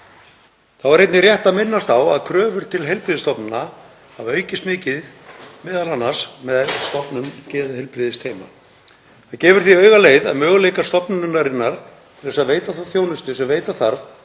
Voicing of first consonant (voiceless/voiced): voiceless